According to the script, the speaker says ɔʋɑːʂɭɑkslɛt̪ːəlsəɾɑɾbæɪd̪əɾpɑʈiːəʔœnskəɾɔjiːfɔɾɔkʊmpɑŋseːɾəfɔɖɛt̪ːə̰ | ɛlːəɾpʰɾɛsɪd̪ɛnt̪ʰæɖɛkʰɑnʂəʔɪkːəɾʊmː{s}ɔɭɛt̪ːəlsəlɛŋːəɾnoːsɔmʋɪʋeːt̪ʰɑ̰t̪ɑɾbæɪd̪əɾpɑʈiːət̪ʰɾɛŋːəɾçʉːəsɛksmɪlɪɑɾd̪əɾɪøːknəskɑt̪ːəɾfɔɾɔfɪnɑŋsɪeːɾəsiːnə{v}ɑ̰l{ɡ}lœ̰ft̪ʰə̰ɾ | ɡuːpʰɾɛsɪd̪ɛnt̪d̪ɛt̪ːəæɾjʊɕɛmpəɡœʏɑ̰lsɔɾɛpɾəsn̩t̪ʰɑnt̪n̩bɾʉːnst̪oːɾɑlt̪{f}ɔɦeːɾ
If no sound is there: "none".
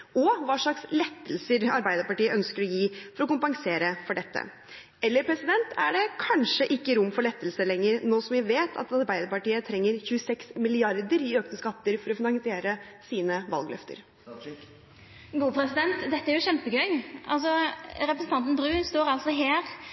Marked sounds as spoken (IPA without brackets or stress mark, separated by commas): f, ʋ, ɡ, s